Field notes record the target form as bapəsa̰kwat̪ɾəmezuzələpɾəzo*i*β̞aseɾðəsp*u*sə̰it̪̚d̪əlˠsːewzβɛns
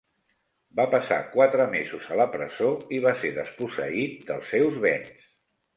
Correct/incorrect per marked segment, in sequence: correct, correct

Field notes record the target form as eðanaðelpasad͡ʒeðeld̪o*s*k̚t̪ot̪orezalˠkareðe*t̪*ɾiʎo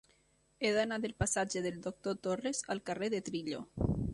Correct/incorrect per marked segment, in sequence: incorrect: none, correct

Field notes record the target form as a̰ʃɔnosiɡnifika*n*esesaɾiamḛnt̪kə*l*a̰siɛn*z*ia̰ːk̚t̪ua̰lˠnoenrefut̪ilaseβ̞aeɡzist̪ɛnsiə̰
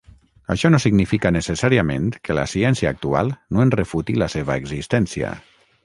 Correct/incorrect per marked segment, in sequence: correct, correct, incorrect: s

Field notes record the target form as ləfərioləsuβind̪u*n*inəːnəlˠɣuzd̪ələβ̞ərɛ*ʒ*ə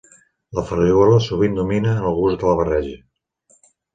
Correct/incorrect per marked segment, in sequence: incorrect: m, correct

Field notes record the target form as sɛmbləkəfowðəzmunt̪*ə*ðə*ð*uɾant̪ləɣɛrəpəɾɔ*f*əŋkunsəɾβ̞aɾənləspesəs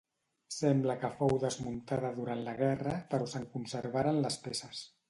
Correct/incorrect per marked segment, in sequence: incorrect: a, correct, incorrect: s

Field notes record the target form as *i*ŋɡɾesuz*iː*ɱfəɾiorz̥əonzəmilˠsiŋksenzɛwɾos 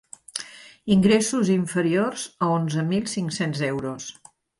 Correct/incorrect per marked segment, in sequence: correct, incorrect: i

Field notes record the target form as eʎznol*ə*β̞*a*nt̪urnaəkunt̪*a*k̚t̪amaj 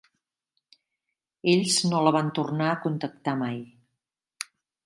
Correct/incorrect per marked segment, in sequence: correct, correct, incorrect: ə

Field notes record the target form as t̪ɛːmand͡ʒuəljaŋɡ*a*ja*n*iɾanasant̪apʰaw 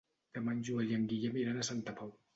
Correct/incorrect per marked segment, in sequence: incorrect: i, incorrect: m

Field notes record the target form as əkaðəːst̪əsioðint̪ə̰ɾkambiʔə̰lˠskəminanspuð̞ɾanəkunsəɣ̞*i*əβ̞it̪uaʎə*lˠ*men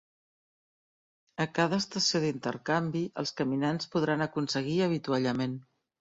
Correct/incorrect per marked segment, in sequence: correct, incorrect: none

